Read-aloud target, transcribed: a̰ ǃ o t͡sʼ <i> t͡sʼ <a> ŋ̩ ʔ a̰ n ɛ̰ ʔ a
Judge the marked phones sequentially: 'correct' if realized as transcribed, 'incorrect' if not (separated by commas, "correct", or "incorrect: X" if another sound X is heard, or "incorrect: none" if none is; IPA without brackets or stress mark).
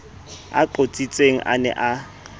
correct, incorrect: e